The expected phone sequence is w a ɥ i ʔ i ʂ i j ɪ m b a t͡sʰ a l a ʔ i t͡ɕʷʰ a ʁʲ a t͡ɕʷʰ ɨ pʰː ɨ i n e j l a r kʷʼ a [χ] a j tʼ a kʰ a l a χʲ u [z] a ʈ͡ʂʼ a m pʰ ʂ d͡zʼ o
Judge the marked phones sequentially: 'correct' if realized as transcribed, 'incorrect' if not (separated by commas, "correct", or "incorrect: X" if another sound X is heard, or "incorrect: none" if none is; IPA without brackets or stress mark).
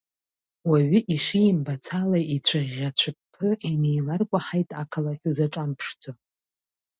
incorrect: ħ, correct